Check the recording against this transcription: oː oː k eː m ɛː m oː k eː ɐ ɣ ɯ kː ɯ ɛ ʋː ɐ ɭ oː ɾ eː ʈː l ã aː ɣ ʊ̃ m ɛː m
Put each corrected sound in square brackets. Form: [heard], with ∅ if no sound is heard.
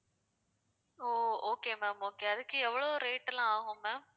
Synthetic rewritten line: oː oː k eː m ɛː m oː k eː ɐ [ð] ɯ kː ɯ ɛ ʋː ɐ ɭ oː ɾ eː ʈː l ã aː ɣ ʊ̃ m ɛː m